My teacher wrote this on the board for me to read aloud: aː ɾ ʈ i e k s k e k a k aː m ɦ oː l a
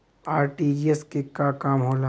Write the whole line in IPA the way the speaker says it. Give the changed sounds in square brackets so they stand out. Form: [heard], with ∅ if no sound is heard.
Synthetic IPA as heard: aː ɾ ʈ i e [∅] s k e k a k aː m ɦ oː l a